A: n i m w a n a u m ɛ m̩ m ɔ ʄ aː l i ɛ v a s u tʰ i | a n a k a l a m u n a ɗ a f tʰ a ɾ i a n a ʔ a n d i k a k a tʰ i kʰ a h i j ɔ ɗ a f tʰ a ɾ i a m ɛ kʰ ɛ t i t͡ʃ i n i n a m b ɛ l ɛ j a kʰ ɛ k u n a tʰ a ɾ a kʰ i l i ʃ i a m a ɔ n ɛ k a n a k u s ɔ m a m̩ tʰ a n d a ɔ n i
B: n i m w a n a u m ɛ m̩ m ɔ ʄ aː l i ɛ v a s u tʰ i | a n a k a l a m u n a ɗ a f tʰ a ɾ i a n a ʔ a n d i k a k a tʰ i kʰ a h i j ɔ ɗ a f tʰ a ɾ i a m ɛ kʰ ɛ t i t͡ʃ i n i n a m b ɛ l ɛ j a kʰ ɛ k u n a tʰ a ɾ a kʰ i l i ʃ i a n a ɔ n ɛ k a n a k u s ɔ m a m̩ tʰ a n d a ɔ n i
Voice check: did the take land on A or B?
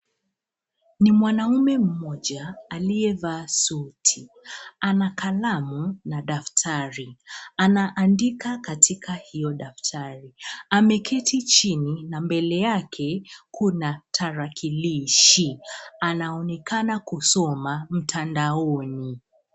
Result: B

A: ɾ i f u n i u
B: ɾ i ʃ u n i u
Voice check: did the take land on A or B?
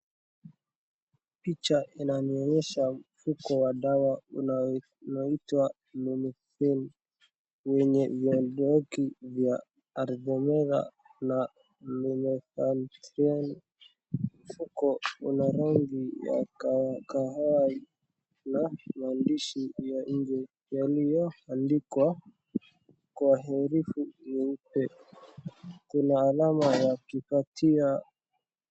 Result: A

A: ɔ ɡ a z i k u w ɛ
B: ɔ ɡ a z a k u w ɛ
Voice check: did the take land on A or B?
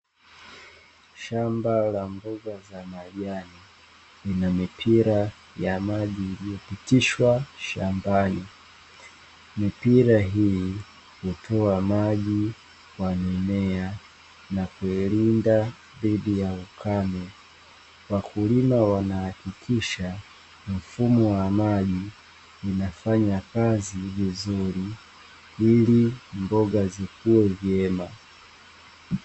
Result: A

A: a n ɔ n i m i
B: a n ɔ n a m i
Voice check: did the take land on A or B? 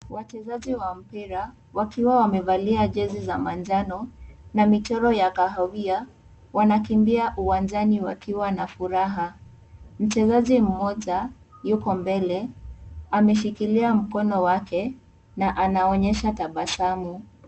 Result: B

